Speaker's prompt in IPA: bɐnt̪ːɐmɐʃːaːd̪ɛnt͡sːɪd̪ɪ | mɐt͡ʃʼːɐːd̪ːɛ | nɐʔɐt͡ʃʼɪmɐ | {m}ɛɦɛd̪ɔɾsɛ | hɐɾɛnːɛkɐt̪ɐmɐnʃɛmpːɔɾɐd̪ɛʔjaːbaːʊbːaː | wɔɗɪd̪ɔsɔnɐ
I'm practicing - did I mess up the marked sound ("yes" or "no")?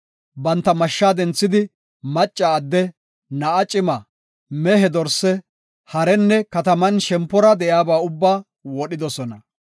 no